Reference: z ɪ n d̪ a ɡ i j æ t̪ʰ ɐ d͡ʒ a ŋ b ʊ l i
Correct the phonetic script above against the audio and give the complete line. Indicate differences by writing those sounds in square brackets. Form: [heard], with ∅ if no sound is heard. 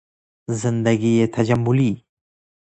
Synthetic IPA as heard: z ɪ n d̪ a ɡ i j [e] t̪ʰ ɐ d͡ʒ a [m] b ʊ l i